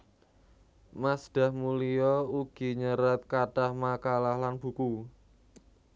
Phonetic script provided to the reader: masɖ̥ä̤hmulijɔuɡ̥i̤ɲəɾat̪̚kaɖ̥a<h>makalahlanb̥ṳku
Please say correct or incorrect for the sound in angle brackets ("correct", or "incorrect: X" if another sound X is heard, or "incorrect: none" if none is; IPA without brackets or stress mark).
correct